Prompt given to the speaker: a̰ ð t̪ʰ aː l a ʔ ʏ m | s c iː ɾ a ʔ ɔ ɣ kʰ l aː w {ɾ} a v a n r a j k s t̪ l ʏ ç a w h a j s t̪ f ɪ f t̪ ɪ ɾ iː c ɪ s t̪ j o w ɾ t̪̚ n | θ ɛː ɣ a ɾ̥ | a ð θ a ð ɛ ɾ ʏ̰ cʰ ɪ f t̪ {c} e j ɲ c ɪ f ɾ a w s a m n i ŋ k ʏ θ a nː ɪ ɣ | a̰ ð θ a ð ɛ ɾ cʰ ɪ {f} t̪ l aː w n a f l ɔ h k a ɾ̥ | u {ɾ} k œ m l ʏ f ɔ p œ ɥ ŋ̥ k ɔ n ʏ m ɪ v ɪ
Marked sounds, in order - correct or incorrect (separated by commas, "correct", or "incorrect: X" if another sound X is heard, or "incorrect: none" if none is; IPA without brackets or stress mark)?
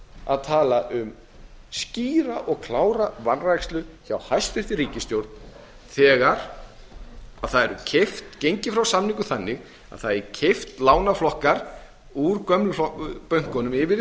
correct, correct, correct, correct